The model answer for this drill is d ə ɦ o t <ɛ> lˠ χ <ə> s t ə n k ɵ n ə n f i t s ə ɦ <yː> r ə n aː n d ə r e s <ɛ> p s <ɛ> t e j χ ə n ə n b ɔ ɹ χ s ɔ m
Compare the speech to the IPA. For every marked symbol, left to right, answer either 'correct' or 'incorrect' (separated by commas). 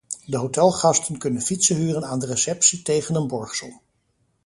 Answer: correct, incorrect, correct, correct, incorrect